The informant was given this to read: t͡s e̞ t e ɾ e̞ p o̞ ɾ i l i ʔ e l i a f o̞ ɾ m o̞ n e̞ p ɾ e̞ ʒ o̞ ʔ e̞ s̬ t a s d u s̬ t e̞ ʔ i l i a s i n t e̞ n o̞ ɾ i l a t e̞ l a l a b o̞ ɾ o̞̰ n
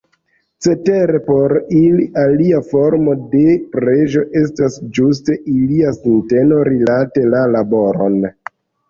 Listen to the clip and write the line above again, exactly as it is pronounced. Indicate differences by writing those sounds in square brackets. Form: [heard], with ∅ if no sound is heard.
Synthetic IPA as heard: t͡s e̞ t e ɾ e̞ p o̞ ɾ i l i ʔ [a] l i a f o̞ ɾ m o̞ [d] e̞ p ɾ e̞ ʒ o̞ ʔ e̞ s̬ t a s [d͡ʒ] u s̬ t e̞ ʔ i l i a s i n t e̞ n o̞ ɾ i l a t e̞ l a l a b o̞ ɾ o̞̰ n